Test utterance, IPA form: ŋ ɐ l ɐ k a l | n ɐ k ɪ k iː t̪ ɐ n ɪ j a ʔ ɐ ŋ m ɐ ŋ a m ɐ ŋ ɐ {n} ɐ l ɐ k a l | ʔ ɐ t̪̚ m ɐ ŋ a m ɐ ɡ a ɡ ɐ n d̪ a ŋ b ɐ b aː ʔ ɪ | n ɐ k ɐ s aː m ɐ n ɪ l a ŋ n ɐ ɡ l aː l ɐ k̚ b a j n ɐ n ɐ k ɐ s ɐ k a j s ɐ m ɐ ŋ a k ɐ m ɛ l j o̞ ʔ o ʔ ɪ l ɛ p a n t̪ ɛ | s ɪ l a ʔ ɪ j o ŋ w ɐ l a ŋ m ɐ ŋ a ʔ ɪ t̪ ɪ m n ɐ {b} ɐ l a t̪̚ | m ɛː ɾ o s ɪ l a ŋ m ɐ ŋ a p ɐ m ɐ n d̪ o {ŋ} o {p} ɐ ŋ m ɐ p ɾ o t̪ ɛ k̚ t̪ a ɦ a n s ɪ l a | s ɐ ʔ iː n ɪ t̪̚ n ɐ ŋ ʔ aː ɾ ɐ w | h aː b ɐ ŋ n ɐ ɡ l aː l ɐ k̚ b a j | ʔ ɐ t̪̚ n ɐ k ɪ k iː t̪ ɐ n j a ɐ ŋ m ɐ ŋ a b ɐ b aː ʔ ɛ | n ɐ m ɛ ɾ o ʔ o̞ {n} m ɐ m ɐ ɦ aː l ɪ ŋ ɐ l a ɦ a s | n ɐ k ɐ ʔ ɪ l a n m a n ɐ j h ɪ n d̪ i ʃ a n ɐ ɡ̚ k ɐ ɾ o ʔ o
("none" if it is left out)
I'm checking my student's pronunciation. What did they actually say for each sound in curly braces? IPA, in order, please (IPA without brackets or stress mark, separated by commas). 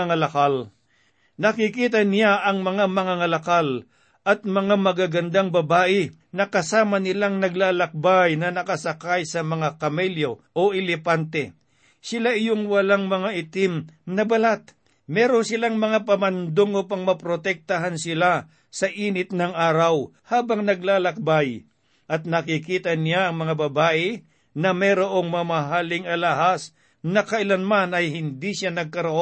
ŋ, b, ŋ, p, ŋ